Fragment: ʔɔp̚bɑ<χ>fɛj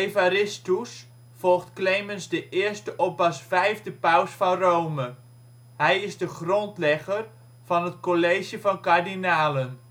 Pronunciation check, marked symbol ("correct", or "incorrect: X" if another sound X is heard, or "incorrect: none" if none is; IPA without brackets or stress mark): incorrect: s